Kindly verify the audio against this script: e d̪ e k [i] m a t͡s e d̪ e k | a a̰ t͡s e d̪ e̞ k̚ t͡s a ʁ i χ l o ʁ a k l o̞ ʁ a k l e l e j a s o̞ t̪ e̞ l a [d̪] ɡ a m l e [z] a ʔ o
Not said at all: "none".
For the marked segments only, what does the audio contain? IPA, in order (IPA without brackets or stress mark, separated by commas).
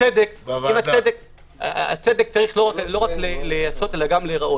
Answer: i, none, ʁ